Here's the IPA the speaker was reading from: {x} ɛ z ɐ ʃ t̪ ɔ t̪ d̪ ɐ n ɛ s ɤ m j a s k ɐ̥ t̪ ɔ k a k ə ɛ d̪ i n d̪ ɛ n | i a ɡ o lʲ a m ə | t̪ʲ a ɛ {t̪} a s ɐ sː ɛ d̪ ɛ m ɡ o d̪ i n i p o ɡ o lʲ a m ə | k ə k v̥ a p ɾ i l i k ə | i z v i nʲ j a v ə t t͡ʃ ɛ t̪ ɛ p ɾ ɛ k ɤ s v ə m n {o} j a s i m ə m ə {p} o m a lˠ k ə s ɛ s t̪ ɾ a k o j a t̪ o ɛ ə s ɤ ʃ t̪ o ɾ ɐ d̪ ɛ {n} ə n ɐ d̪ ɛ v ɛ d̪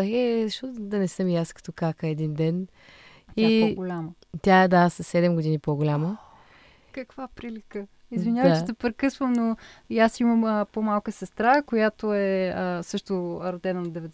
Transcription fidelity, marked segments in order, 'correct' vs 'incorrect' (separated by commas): correct, incorrect, correct, correct, correct